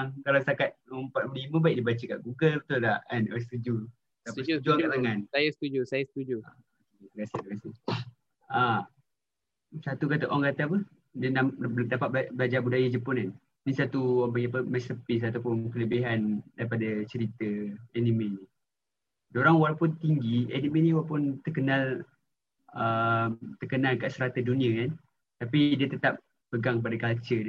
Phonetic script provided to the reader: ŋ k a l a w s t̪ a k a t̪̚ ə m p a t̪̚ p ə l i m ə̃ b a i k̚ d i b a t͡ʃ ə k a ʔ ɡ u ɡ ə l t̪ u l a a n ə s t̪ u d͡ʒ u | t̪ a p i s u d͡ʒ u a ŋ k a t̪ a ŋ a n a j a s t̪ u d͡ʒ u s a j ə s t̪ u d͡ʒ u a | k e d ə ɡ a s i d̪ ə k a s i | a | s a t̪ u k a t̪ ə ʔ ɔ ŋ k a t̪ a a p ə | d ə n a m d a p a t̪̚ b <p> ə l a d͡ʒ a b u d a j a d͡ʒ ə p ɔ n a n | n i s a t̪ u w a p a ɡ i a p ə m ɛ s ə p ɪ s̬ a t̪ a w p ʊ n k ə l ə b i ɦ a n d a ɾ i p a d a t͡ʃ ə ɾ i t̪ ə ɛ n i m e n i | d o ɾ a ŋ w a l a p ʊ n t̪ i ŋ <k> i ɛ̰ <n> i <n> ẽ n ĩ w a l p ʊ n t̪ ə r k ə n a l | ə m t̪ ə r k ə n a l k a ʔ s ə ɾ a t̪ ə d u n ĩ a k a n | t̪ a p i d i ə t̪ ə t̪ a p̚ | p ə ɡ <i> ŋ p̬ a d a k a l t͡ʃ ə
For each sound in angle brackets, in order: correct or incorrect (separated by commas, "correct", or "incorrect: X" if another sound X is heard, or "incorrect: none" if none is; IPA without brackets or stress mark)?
incorrect: b, incorrect: ɡ, correct, incorrect: m, incorrect: a